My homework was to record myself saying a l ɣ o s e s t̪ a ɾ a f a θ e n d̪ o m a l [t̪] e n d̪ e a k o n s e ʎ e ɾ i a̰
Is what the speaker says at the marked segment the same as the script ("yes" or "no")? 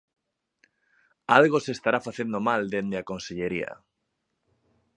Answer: no